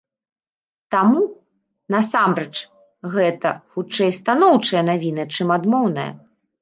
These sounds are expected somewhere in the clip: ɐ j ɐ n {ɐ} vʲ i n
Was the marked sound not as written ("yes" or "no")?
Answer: yes